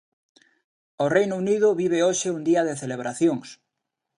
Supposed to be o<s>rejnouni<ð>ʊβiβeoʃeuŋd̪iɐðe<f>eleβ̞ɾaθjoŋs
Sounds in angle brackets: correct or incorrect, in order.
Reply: incorrect, correct, incorrect

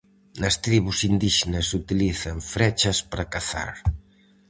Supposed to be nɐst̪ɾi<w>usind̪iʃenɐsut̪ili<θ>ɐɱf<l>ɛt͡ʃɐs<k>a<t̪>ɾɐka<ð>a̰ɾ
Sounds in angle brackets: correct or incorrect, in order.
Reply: incorrect, correct, incorrect, incorrect, incorrect, incorrect

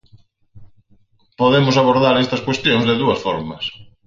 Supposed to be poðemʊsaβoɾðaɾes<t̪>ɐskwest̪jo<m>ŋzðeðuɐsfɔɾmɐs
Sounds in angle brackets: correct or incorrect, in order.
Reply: correct, incorrect

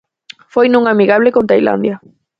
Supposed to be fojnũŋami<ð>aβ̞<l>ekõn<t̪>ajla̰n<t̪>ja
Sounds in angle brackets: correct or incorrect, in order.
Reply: incorrect, correct, correct, incorrect

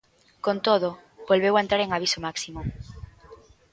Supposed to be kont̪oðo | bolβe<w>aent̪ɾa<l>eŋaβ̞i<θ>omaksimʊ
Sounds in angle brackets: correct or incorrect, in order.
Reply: correct, incorrect, incorrect

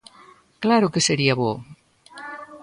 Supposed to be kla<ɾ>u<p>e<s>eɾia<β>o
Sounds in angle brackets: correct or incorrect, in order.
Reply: correct, incorrect, correct, correct

